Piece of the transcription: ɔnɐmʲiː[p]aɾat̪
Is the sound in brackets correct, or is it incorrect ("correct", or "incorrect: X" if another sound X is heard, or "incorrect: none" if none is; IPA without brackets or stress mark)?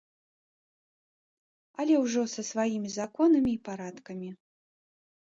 correct